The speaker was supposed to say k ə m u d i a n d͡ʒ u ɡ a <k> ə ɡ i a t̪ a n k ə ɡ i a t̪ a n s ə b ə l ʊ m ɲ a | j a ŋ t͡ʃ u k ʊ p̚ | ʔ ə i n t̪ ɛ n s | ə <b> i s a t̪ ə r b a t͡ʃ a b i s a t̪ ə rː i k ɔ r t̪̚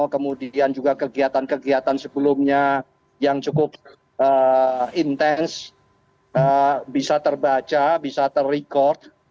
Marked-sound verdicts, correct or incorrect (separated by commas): correct, correct